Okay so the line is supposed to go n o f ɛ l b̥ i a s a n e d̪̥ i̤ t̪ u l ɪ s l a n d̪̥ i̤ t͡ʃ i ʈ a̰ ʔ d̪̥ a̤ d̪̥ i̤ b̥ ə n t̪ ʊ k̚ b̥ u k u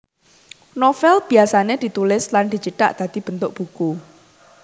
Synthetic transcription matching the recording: n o f ɛ l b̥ i a s a n e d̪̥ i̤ t̪ u l ɪ s l a n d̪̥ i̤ t͡ʃ i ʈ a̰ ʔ d̪̥ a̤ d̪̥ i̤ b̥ ə n t̪ ʊ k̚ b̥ u k u